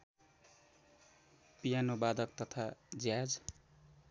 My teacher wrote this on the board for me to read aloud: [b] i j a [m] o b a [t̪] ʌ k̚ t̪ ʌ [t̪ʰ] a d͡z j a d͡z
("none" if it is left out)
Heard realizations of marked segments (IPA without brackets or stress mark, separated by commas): p, n, d̪, t̪ʰ